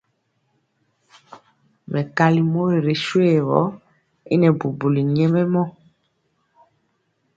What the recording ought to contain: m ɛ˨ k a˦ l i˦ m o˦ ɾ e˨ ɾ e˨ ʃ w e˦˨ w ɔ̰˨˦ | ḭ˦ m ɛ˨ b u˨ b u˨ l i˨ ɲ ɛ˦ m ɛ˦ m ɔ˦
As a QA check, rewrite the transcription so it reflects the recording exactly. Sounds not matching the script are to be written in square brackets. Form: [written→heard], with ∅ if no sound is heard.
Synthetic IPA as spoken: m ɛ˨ k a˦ l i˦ m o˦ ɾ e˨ ɾ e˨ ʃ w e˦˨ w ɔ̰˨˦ | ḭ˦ [m→n] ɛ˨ b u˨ b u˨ l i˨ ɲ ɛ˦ m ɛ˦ m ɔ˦